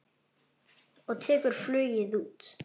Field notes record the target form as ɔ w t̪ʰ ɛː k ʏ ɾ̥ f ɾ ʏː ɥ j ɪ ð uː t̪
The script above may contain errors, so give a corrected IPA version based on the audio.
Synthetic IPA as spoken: ɔ ɣ t̪ʰ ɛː k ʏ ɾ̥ f l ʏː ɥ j ɪ ð uː t̪